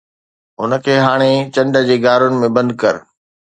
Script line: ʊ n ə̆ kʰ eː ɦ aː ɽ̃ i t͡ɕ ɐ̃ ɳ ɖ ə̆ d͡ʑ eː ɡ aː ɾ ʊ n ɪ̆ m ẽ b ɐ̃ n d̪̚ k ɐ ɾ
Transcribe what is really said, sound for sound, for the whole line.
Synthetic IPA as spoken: ʊ n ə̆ kʰ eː ɦ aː ɽ̃ e t͡ɕ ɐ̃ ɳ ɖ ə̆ d͡ʑ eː ɡ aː ɾ ʊ n ɪ̆ m ẽ b ɐ̃ n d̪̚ k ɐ ɾ